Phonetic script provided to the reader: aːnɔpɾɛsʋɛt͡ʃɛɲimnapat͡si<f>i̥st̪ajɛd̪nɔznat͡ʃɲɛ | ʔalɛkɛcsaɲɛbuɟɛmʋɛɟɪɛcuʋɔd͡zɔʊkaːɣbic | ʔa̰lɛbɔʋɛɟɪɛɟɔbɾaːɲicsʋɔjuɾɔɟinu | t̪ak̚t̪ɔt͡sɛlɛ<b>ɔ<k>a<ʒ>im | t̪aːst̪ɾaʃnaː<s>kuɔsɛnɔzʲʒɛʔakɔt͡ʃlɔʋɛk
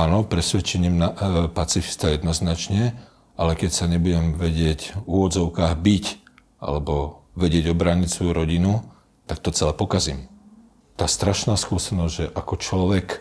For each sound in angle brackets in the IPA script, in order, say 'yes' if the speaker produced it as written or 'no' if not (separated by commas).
yes, no, yes, no, yes